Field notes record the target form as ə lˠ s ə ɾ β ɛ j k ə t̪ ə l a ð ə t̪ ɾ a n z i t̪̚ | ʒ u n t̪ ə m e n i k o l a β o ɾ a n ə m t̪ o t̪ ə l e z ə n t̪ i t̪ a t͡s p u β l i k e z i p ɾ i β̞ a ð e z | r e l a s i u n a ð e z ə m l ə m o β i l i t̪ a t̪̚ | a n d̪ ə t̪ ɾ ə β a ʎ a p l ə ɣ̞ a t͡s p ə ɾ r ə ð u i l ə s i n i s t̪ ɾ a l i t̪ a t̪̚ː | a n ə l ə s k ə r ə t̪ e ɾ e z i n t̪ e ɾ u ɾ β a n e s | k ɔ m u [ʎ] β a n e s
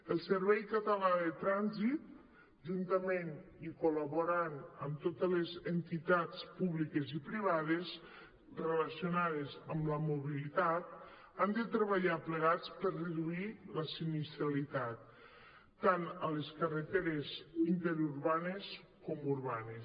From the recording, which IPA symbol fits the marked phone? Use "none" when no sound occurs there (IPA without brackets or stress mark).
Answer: ɾ